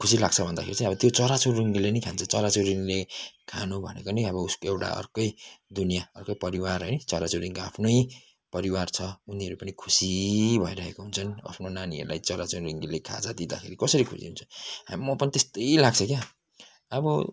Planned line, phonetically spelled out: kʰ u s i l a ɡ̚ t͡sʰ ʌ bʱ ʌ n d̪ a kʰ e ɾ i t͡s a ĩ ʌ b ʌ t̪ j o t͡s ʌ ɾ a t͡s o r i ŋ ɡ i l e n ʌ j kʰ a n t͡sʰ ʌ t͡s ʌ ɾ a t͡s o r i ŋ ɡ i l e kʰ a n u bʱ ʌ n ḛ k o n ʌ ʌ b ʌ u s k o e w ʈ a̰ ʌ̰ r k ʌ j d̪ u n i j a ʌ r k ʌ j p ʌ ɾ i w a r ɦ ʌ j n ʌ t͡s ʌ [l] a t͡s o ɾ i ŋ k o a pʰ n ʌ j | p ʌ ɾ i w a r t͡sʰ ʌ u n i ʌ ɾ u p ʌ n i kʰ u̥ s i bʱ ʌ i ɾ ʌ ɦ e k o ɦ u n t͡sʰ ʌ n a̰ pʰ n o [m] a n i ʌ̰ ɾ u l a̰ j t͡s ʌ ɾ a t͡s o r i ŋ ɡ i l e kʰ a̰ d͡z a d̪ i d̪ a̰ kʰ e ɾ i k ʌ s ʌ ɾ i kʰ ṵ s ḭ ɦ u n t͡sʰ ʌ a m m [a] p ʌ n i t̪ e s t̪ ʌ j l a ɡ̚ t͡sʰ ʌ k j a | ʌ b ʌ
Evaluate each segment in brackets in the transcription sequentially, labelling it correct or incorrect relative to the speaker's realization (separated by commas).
incorrect, incorrect, incorrect